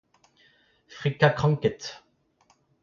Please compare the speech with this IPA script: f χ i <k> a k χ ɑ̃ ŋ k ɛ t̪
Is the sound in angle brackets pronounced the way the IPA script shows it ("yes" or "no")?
yes